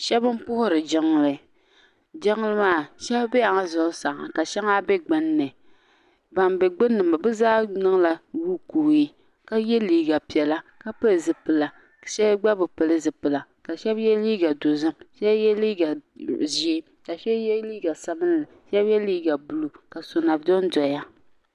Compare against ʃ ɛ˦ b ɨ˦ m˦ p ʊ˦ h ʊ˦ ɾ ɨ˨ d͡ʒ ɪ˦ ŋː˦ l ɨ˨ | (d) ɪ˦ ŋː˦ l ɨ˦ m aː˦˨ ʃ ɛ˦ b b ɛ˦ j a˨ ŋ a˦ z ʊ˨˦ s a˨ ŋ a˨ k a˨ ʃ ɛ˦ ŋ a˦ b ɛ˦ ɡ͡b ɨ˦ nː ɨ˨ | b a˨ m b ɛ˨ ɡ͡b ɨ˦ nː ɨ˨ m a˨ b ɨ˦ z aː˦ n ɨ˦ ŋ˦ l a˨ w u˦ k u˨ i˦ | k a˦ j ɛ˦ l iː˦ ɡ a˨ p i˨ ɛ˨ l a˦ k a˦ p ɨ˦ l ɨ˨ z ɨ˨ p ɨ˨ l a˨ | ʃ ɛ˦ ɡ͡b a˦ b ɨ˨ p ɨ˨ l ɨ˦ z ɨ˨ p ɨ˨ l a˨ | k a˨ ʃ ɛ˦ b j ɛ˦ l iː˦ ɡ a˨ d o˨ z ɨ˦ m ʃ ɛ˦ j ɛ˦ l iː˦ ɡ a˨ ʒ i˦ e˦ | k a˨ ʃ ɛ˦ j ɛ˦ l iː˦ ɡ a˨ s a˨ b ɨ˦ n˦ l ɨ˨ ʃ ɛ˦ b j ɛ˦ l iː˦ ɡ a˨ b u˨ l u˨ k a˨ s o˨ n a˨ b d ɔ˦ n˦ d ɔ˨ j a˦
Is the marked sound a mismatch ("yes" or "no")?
yes